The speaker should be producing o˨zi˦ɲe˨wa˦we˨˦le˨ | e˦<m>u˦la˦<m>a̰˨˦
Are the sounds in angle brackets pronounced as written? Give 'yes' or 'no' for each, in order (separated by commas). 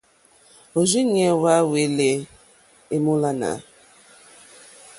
yes, no